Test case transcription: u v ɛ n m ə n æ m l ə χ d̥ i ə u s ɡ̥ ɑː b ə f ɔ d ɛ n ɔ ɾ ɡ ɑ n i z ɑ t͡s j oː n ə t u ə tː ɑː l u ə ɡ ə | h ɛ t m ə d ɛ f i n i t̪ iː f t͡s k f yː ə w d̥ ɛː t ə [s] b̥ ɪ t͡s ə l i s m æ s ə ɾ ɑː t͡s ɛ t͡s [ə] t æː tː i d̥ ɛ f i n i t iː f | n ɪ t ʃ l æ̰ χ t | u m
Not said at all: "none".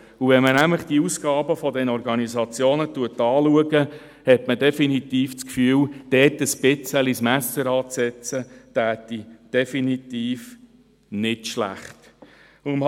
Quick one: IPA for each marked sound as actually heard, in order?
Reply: s, ə

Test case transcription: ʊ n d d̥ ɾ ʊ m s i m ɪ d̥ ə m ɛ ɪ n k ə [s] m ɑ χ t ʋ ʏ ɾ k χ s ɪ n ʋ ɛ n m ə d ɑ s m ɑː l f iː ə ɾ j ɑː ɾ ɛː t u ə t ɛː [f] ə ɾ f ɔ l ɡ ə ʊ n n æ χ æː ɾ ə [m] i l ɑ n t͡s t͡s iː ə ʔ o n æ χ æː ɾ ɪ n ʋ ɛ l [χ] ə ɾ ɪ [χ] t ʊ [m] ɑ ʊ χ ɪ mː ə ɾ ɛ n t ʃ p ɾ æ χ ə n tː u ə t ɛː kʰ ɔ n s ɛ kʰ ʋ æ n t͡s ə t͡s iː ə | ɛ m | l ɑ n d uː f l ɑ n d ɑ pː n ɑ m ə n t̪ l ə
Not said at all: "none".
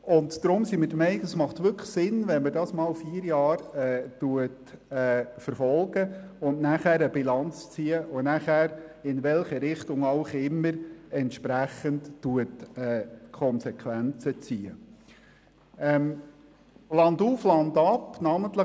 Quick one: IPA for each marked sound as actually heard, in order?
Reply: s, f, b, χ, χ, ŋ

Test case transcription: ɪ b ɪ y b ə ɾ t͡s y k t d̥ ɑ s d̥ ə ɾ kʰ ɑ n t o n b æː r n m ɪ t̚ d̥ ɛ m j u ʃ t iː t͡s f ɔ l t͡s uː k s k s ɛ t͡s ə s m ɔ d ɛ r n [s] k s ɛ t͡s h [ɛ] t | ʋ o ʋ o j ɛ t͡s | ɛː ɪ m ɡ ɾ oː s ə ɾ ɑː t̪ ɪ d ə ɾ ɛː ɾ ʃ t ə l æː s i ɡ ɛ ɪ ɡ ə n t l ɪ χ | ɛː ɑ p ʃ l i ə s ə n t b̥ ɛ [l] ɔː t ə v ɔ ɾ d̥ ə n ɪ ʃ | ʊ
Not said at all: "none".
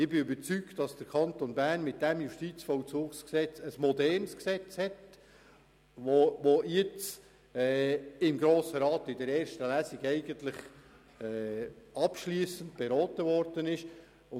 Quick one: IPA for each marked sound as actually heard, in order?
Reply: s, ɛ, ɾ

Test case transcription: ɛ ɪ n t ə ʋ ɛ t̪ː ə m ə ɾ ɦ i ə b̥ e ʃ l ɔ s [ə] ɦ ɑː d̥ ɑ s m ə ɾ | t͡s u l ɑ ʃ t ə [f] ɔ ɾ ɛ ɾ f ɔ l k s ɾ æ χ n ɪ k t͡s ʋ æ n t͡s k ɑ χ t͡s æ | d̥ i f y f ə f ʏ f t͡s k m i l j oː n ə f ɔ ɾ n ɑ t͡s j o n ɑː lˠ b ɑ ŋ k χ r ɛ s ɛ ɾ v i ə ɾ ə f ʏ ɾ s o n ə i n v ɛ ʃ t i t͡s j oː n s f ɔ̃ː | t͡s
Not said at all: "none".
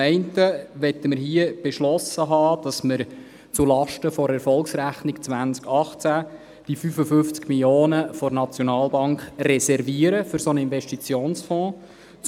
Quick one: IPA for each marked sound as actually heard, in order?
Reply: ə, f

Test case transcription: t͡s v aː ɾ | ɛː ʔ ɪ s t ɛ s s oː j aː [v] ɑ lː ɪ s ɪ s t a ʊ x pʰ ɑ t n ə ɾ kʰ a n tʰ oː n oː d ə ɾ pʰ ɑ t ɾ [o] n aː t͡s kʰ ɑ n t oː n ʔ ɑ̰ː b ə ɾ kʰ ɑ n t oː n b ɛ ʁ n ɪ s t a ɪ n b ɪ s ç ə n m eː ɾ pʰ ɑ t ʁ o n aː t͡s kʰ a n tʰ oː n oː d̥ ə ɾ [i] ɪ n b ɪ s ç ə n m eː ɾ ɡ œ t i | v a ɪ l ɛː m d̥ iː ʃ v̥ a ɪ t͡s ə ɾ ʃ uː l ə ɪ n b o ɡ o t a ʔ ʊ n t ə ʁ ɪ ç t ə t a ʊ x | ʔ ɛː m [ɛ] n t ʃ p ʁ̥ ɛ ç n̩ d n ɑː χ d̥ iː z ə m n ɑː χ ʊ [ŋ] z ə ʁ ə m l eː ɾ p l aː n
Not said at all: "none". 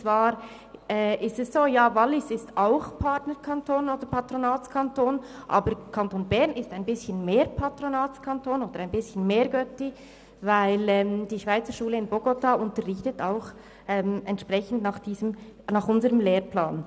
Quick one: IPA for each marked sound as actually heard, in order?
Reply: v, o, a, ɛ, n

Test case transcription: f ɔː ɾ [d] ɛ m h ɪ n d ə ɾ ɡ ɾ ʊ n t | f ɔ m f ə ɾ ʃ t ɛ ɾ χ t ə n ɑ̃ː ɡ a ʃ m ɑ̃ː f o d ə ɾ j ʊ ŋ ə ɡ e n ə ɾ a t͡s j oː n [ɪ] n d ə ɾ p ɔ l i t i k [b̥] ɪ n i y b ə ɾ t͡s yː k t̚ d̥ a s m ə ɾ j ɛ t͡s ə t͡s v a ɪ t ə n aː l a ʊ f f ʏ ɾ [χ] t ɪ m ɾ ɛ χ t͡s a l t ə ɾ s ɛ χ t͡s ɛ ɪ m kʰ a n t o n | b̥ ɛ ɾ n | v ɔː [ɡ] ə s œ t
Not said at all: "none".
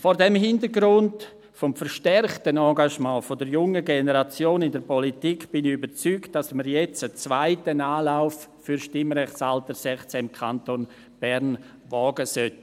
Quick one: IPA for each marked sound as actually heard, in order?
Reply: d, ɪ, b̥, ʃ, ɡ

